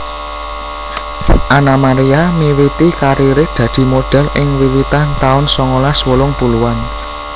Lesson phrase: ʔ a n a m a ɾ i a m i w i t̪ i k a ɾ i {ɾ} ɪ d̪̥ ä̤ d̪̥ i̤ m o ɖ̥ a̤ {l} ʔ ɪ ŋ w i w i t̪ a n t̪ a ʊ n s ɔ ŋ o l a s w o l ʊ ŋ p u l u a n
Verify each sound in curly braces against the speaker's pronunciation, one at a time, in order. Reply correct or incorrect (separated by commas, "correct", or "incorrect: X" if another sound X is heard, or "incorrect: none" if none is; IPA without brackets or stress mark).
correct, correct